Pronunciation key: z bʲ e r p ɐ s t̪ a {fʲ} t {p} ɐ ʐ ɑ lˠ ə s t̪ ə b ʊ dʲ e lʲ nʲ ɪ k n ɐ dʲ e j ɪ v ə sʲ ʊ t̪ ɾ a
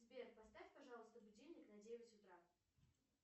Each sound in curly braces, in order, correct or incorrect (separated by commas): correct, correct